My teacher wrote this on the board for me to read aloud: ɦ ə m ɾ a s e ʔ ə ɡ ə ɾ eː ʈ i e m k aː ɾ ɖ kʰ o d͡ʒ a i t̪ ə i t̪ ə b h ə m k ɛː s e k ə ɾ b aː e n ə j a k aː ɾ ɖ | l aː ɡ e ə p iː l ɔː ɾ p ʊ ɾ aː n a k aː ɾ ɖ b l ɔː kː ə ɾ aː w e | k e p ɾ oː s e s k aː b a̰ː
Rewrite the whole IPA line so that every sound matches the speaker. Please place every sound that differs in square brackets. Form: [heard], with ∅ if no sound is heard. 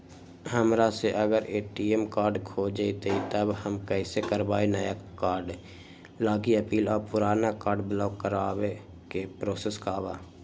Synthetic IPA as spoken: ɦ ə m ɾ a s e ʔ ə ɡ ə ɾ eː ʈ i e m k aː ɾ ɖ kʰ o d͡ʒ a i t̪ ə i t̪ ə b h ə m k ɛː s e k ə ɾ b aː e n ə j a k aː ɾ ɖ | l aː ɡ [i] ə p iː l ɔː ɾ p ʊ ɾ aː n a k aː ɾ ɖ b l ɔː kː ə ɾ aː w e | k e p ɾ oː s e s k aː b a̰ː